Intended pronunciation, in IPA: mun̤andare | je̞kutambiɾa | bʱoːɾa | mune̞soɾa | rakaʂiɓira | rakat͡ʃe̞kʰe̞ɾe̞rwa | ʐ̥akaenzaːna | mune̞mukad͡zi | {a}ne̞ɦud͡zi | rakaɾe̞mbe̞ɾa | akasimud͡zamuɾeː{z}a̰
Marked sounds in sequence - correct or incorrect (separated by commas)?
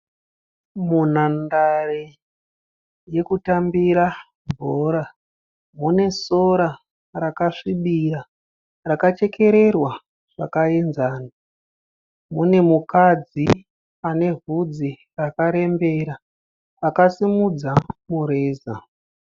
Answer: correct, correct